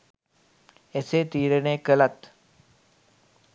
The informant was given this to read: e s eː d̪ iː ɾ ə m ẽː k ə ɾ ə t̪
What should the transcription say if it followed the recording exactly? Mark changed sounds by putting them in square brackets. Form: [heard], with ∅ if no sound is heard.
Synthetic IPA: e s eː [t̪] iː ɾ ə [n] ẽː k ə [l] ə t̪